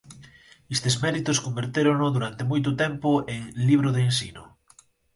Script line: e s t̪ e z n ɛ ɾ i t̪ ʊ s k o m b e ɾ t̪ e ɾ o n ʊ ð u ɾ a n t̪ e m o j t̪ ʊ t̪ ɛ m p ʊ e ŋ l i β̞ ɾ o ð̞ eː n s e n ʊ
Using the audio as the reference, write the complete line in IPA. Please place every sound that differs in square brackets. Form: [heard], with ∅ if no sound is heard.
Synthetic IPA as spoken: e s t̪ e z [m] ɛ ɾ i t̪ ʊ s k o m b e ɾ t̪ e ɾ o n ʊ ð u ɾ a n t̪ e m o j t̪ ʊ t̪ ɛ m p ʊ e ŋ l i β̞ ɾ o ð̞ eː n s [i] n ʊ